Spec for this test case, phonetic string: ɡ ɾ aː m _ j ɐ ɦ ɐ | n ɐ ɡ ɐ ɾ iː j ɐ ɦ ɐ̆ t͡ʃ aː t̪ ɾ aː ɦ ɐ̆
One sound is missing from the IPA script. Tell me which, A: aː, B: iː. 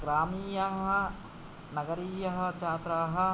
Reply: B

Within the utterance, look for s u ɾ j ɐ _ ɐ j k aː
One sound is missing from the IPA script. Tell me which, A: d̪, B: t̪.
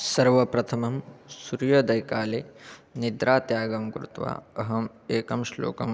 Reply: A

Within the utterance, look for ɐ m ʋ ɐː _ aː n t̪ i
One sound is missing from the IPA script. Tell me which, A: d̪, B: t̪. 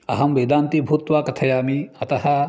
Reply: A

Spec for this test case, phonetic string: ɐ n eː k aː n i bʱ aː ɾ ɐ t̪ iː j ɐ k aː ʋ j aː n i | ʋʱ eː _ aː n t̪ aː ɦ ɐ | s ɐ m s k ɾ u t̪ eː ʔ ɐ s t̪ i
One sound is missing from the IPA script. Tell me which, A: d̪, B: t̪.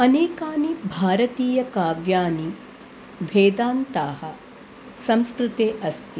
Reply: A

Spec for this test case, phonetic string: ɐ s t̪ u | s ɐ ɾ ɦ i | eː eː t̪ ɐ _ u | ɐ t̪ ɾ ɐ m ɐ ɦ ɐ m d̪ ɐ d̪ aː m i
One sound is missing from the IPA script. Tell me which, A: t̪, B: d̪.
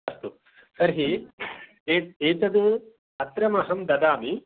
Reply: B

